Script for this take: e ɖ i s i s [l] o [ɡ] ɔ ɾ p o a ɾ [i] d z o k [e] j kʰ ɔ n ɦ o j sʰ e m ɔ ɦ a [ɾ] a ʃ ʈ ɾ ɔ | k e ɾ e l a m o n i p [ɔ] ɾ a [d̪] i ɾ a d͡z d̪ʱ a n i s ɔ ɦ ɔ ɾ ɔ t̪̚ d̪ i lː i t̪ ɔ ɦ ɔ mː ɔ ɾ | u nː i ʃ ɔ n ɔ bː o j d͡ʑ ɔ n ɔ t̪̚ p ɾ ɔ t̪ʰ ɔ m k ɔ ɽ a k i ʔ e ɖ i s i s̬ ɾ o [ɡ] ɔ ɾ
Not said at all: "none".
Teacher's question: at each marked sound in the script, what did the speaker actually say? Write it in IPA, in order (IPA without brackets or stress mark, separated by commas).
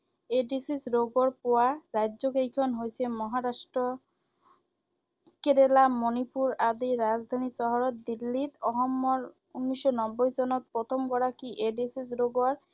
ɾ, ɡ, a, e, ɾ, u, d̪, ɡ